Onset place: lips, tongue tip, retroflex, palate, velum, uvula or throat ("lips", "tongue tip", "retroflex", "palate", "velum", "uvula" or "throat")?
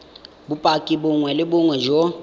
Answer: lips